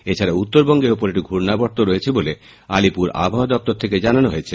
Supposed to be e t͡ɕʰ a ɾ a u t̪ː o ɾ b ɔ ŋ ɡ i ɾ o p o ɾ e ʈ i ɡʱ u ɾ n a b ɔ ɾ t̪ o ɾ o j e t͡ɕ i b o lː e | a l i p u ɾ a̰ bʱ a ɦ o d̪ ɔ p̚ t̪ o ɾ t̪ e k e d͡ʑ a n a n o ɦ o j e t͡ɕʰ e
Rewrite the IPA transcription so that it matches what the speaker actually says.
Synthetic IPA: e t͡ɕʰ a ɾ a u t̪ː o ɾ b ɔ ŋ ɡ e ɾ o p o ɾ e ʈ i ɡʱ u ɾ n a b ɔ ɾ t̪ o ɾ o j e t͡ɕʰ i b o l e | a l i p u ɾ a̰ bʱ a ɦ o d̪ ɔ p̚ t̪ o ɾ t̪ʰ e k e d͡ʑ a n a n o ɦ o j e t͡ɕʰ e